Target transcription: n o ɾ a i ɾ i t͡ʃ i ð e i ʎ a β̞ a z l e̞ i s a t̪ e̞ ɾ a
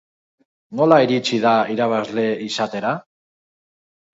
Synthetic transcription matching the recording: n o l a i ɾ i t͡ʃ i ð a i ɾ a β̞ a z l e̞ i s a t̪ e̞ ɾ a